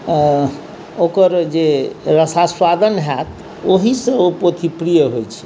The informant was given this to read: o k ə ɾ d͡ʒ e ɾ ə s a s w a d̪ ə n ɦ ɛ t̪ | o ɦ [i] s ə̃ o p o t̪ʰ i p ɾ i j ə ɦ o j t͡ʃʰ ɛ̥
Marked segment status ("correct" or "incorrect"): correct